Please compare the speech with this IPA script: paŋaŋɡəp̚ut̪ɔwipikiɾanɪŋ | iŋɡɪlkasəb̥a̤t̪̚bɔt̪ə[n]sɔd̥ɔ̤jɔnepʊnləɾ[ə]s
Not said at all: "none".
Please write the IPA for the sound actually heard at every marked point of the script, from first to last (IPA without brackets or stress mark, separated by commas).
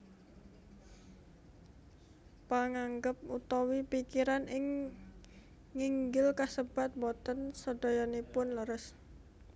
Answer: n, ə